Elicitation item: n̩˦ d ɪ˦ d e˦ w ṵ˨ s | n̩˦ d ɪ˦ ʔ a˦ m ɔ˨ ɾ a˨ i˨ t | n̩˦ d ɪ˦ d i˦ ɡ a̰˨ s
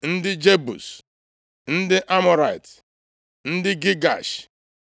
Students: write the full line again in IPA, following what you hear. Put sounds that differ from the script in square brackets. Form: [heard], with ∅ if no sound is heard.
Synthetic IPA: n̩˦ d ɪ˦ [d͡ʒ] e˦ [b] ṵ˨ s | n̩˦ d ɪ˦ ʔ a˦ m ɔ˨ ɾ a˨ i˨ t | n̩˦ d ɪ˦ [ɡ] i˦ ɡ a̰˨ [ʃ]